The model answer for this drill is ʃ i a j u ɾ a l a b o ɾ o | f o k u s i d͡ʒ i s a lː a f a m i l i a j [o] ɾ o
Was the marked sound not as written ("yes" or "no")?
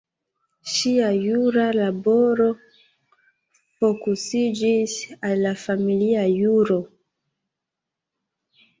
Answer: yes